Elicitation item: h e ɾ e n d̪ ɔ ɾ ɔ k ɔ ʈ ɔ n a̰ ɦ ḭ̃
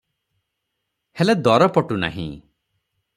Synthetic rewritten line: h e l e d̪ ɔ ɾ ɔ p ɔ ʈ u n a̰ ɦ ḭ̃